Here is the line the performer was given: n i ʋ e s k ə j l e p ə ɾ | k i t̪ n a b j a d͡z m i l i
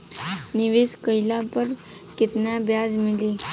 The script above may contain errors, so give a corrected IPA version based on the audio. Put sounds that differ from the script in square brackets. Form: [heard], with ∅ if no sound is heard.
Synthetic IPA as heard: n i ʋ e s k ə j l [a] p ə ɾ | k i t̪ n a b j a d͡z m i l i